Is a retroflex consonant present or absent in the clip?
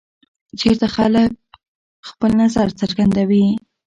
absent